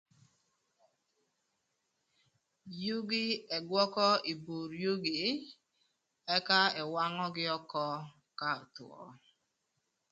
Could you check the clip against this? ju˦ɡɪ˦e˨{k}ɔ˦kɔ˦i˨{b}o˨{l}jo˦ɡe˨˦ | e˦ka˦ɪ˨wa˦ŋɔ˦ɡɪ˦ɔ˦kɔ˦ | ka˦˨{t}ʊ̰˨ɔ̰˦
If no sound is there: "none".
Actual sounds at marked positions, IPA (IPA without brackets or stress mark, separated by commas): ɡ, b, ɾ, t